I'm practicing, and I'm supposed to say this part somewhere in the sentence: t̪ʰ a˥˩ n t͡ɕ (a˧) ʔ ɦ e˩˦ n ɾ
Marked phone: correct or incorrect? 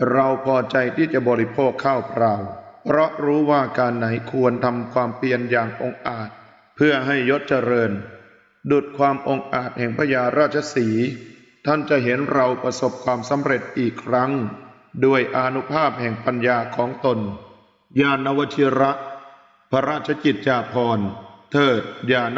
incorrect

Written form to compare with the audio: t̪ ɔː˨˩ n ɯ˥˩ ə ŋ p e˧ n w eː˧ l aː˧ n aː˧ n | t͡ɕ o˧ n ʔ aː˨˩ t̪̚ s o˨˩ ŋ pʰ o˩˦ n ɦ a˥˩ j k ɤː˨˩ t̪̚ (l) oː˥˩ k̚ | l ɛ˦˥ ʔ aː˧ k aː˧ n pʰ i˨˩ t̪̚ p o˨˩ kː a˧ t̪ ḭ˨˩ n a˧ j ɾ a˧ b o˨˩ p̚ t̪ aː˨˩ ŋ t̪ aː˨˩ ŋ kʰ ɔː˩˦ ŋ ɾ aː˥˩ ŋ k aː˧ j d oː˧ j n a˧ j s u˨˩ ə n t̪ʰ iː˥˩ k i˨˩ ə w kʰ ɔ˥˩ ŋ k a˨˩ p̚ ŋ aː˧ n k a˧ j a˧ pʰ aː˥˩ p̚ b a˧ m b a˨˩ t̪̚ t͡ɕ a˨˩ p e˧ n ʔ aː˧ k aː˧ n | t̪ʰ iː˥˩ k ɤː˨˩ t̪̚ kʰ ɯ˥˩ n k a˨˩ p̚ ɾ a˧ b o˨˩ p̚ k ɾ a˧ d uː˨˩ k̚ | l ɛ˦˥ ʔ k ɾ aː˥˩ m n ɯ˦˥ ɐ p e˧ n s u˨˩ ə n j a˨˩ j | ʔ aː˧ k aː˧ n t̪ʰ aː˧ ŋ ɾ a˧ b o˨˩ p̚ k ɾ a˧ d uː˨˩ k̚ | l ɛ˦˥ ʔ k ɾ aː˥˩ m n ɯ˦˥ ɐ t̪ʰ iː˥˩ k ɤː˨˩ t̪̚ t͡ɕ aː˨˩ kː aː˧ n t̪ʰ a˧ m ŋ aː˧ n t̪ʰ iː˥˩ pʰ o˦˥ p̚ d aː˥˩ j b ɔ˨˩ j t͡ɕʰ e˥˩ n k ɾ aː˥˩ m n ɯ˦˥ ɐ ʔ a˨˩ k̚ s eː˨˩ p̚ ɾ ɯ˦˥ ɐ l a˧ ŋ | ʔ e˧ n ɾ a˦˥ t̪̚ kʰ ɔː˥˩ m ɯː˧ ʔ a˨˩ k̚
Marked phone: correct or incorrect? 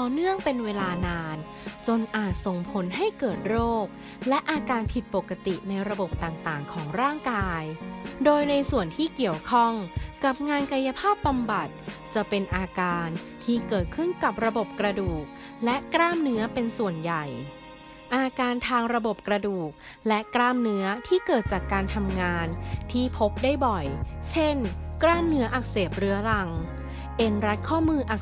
incorrect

